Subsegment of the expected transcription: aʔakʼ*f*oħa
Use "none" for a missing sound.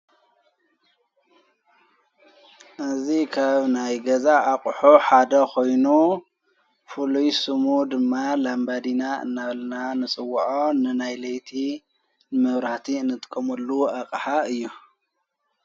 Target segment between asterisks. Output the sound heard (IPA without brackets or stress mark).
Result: ħ